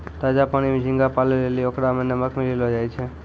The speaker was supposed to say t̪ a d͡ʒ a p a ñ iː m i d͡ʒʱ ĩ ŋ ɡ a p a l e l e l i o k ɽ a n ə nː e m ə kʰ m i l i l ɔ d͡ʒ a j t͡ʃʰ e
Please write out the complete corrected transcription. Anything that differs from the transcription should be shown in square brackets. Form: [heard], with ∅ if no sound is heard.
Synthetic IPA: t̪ a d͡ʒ a p a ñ [i] m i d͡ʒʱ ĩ ŋ ɡ a p a l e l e l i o k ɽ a [m] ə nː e m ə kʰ m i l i l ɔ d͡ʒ a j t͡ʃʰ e